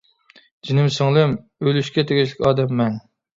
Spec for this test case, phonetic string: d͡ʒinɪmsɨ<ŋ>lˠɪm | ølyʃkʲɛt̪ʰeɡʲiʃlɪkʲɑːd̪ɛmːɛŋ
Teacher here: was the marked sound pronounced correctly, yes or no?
yes